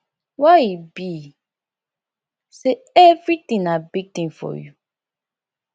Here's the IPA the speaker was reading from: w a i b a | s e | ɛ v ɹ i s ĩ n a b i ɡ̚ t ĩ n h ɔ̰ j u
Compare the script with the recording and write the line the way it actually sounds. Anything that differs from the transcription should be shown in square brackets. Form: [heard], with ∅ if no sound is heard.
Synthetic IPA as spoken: w a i b [i] | s e | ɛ v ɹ i [t] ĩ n a b i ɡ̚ t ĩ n [f] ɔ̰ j u

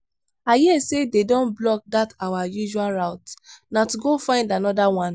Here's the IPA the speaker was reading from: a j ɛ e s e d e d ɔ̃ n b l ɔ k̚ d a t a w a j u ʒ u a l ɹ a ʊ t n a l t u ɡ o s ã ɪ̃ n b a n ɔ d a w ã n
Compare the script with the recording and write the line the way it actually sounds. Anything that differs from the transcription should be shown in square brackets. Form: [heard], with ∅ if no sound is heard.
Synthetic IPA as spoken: a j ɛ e s e d e d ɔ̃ n b l ɔ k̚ d a t a w a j u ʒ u a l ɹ a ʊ t n a [∅] t u ɡ o [f] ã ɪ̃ n [d] a n ɔ d a w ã n

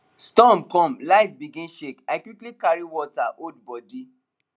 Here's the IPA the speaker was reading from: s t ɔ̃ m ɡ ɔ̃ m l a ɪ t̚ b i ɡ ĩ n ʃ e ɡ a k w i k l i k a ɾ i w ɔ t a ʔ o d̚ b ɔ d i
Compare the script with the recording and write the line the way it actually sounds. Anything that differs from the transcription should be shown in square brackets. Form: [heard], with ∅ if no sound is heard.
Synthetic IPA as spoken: s t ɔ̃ m [k] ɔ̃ m l a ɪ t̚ b i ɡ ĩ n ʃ e [k] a k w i k l i k a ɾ i w ɔ t a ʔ o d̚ b ɔ d i

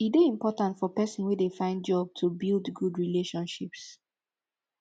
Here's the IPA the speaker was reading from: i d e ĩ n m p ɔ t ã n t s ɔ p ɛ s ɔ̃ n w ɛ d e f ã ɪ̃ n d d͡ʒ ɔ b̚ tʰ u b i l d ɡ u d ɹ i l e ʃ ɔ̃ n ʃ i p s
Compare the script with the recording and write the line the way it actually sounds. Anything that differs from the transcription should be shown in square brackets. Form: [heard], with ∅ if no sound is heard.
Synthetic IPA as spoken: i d e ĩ [∅] m p ɔ t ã n t [f] ɔ p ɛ s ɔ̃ n w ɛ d e f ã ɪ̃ n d d͡ʒ ɔ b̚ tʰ u b i l d ɡ u d ɹ i l e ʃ ɔ̃ n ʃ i p s

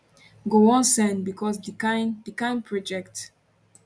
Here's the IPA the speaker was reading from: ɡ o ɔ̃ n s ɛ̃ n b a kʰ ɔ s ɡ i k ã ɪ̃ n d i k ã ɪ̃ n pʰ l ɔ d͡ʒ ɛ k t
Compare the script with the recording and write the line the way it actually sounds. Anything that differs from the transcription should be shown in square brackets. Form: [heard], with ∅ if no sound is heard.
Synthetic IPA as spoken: ɡ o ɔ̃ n s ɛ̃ n b [i] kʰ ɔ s [d] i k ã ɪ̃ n d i k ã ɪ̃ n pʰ [ɹ] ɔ d͡ʒ ɛ k t

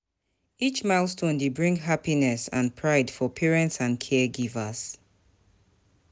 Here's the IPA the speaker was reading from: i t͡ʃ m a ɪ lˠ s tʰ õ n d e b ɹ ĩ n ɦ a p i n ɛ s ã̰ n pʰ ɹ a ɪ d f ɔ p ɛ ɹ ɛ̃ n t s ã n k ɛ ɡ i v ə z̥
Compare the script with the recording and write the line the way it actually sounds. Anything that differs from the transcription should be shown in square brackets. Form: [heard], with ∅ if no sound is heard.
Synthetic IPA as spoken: i t͡ʃ m a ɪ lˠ s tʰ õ n d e b ɹ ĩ [ŋ] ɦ a p i n ɛ s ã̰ n pʰ ɹ a ɪ d f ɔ [pʰ] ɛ ɹ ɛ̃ n t s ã n [kʰ] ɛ ɡ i v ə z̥

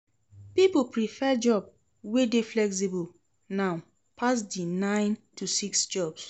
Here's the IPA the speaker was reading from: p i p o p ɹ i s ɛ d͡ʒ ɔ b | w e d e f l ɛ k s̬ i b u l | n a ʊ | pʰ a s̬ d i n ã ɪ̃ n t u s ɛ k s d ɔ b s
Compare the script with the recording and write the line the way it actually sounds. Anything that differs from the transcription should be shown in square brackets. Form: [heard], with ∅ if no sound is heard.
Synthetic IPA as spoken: p i p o p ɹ i [f] ɛ d͡ʒ ɔ b | w e d e f l ɛ k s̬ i b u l | n a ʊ | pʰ a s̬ d i n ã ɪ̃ n t u s [i] k s [d͡ʒ] ɔ b s

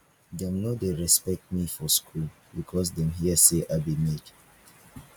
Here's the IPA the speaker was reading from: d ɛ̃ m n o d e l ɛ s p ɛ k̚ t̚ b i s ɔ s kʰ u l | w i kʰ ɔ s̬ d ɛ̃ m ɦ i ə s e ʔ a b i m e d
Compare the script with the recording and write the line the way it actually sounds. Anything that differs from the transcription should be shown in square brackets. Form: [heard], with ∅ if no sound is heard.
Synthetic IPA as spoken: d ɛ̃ m n o d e [ɹ] ɛ s p ɛ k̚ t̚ [m] i [f] ɔ s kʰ u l | [b] i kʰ ɔ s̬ d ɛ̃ m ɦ i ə s e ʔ a b i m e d

